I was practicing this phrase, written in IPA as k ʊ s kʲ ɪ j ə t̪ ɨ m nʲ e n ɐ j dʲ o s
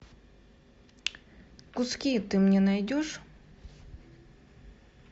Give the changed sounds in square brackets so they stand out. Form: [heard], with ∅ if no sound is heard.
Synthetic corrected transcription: k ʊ s kʲ [i] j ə t̪ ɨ m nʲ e n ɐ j dʲ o [ʂ]